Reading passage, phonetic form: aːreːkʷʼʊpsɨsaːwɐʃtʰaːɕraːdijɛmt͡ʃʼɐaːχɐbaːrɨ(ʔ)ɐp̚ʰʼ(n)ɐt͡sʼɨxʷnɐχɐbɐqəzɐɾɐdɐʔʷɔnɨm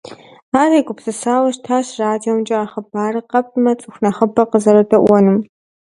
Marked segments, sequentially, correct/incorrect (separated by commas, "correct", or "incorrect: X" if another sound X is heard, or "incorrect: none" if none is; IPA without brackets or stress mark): incorrect: q, incorrect: m